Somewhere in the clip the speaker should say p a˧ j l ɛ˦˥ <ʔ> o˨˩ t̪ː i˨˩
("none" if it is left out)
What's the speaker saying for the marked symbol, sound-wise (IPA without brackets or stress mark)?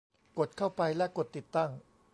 k